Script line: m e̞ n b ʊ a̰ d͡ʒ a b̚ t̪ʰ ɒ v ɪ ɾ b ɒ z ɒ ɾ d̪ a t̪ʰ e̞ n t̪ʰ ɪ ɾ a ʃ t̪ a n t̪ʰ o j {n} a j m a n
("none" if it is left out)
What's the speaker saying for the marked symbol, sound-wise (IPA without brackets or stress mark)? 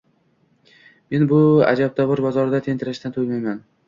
m